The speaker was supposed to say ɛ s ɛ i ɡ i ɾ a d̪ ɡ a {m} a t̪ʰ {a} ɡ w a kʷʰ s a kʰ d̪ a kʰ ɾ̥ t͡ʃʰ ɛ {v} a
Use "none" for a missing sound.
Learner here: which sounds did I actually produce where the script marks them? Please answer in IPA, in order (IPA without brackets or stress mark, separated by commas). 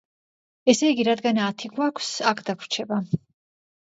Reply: n, i, b